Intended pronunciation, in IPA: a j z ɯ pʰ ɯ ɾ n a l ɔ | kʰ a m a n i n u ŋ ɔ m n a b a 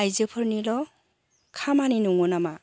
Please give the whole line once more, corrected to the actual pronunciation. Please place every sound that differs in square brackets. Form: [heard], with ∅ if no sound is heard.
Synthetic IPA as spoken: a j z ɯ pʰ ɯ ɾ n [i] l ɔ | kʰ a m a n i n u ŋ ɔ [∅] n a [m] a